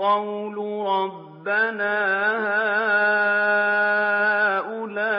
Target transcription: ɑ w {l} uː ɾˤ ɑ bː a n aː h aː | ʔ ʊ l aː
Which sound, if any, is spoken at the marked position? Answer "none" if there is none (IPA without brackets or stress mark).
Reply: l